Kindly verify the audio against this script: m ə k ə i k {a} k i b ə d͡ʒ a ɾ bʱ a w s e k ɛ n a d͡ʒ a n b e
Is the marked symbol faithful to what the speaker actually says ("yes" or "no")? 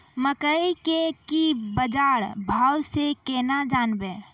no